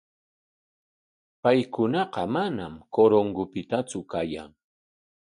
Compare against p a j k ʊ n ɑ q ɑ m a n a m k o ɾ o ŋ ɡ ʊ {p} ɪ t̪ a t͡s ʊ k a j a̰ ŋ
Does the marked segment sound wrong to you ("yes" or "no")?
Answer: no